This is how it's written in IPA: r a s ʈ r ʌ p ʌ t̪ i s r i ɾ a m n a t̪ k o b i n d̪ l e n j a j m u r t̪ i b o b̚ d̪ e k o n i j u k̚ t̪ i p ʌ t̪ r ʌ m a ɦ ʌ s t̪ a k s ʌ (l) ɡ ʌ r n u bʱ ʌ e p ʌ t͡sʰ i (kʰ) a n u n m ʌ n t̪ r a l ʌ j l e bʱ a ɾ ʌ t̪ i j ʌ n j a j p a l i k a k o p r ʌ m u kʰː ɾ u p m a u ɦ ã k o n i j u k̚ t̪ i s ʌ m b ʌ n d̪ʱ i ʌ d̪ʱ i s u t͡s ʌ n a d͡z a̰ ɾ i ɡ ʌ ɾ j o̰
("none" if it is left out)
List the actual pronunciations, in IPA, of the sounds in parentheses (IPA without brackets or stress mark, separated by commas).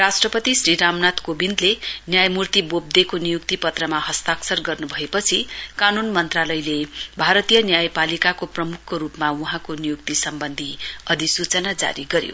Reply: r, k